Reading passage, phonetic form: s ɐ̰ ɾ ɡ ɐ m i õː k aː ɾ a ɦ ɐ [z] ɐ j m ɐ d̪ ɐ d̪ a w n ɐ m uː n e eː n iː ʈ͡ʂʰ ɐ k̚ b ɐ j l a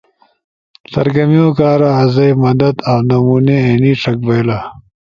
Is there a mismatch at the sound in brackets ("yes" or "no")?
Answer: no